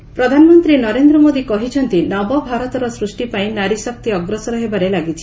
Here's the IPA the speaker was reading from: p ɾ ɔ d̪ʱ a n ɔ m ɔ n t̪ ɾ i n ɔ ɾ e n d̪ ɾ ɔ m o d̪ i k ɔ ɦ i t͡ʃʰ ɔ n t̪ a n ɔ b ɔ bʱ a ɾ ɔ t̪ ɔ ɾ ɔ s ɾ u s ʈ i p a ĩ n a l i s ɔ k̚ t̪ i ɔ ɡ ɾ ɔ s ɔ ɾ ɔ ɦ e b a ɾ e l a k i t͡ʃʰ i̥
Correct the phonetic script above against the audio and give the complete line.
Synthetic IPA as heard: p ɾ ɔ d̪ʱ a n ɔ m ɔ n t̪ ɾ i n ɔ ɾ e n d̪ ɾ ɔ m o d̪ i k ɔ ɦ i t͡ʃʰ ɔ n t̪ i n ɔ b ɔ bʱ a ɾ ɔ t̪ ɔ ɾ ɔ s ɾ u s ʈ i p a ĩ n a ɾ i s ɔ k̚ t̪ i ɔ ɡ ɾ ɔ s ɔ ɾ ɔ ɦ e b a ɾ e l a ɡ i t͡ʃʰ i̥